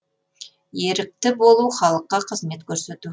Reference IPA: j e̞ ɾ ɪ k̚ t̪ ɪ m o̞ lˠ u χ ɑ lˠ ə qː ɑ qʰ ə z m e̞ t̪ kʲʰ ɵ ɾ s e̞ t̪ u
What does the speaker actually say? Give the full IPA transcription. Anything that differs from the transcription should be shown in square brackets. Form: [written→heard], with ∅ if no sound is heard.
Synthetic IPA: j e̞ ɾ ɪ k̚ t̪ ɪ [m→b] o̞ lˠ u χ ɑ lˠ ə qː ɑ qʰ ə z m e̞ t̪ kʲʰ ɵ ɾ s e̞ t̪ u